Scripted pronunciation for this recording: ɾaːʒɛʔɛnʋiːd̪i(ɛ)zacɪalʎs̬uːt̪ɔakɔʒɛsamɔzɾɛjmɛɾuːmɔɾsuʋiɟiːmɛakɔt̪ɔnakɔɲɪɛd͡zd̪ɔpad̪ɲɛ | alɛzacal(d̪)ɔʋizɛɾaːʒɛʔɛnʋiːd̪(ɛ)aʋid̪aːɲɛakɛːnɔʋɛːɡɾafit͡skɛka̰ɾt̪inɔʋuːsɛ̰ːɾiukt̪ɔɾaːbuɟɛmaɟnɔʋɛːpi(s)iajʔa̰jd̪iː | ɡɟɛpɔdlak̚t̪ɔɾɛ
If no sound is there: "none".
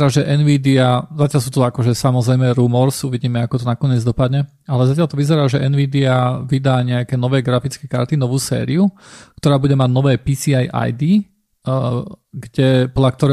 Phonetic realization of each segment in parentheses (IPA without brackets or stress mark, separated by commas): a, t̪, i, s